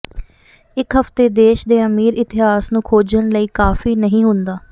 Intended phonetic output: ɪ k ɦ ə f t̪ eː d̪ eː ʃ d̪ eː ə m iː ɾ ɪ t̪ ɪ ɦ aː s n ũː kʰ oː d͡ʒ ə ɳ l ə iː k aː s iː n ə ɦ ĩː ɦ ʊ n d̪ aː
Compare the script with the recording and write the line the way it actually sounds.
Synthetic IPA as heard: ɪ k ɦ ə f t̪ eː d̪ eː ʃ d̪ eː ə m iː ɾ ɪ t̪ ɪ ɦ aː s n ũː kʰ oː d͡ʒ ə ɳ l ə iː k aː f iː n ə ɦ ĩː ɦ ʊ n d̪ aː